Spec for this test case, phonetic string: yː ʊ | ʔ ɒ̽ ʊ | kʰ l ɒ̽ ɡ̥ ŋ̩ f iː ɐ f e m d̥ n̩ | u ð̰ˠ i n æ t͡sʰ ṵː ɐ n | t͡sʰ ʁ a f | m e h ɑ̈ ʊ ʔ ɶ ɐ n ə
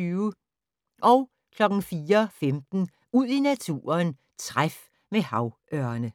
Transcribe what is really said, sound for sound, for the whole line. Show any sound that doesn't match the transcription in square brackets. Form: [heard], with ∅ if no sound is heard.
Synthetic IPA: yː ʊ | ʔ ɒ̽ ʊ | kʰ l ɒ̽ ɡ̥ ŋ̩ f iː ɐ f e m d̥ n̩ | u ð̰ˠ i n æ t͡sʰ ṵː ɐ n | t͡sʰ ʁ a f | m e h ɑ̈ ʊ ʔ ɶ ɐ n ə